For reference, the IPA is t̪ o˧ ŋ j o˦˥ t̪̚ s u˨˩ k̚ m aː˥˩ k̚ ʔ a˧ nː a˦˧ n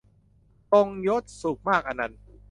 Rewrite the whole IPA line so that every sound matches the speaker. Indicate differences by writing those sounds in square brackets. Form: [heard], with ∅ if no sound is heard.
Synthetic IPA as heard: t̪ o˧ ŋ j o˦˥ t̪̚ s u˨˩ k̚ m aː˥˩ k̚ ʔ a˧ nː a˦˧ n